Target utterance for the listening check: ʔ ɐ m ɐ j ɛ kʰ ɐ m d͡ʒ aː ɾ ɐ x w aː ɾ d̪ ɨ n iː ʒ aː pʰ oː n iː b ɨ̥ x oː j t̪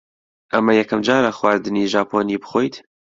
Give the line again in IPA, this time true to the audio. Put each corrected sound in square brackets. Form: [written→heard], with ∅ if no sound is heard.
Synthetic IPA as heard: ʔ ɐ m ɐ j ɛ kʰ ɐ m d͡ʒ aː ɾ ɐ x w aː ɾ d̪ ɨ n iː ʒ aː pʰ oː n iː b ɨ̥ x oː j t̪